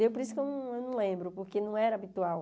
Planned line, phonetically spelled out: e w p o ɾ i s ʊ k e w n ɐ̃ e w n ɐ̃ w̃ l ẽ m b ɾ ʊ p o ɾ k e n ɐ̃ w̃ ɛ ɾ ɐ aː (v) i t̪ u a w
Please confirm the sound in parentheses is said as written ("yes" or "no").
no